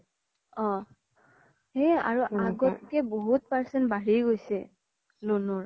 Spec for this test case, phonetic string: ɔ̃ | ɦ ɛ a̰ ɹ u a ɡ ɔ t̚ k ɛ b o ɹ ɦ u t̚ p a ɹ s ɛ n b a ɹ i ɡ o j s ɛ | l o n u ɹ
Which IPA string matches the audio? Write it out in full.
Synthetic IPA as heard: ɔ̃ | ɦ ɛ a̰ ɹ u a ɡ ɔ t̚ k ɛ b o ɦ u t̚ p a ɹ s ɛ n b a ɹ i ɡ o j s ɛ | l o n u ɹ